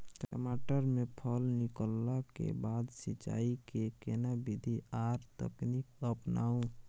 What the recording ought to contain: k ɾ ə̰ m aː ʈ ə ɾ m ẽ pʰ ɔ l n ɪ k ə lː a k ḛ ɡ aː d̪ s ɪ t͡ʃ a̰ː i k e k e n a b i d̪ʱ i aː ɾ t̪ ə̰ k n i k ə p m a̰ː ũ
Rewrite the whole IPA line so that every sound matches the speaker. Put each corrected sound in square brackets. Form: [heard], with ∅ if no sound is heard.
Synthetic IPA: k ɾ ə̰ m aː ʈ ə ɾ m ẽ pʰ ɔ l n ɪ k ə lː a k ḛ [b] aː d̪ s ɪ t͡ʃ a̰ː i k e k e n a b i d̪ʱ i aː ɾ t̪ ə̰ k n i k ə p [n] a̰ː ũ